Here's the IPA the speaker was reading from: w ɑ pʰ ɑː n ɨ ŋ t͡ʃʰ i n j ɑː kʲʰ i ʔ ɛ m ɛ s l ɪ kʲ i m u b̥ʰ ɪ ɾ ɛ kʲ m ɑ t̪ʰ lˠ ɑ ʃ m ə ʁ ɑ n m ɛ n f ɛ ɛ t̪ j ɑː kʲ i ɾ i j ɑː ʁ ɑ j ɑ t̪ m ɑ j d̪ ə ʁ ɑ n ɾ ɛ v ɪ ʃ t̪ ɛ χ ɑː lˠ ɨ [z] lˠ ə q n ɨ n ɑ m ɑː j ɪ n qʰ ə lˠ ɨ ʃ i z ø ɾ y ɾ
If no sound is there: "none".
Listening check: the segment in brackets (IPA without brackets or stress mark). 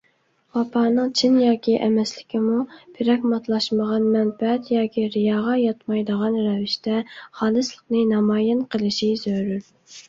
s